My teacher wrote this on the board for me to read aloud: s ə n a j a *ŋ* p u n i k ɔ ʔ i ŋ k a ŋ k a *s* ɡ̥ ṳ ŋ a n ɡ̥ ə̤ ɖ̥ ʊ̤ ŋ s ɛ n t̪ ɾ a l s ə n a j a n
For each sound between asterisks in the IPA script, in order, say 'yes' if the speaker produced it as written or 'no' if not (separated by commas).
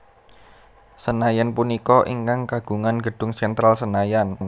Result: no, no